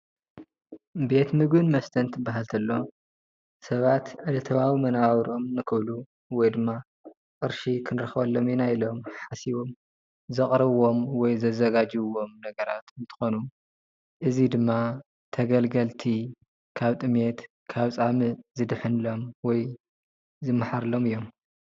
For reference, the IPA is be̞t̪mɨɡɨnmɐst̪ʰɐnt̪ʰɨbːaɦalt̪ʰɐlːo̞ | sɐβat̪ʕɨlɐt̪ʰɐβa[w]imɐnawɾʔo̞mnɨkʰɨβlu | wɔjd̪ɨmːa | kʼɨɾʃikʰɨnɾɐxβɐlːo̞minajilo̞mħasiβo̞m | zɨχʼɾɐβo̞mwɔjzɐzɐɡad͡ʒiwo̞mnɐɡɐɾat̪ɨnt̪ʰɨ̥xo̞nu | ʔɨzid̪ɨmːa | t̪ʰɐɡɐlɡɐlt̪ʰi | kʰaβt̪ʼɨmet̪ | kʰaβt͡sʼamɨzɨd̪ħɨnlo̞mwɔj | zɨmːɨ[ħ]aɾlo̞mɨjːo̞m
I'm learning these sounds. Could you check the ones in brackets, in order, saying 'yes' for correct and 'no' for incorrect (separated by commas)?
yes, yes